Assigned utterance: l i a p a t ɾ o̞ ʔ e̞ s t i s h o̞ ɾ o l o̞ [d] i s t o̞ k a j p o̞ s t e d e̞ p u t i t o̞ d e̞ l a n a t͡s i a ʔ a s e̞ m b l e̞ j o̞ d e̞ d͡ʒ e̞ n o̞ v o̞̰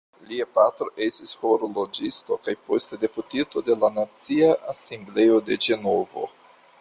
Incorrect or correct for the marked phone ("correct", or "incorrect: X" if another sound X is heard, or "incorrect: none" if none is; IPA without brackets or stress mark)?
incorrect: d͡ʒ